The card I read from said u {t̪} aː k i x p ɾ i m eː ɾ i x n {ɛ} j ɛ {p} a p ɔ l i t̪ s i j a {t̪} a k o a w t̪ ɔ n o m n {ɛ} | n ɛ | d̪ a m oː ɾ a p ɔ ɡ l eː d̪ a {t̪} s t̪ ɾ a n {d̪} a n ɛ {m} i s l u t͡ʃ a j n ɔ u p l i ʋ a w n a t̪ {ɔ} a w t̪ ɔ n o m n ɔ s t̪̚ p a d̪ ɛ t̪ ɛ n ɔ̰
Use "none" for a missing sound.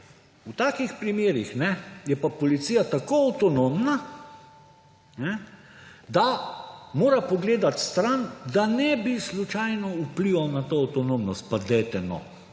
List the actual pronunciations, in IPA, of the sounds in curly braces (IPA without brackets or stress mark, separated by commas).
t̪, ɛ, p, t̪, a, t̪, d̪, b, o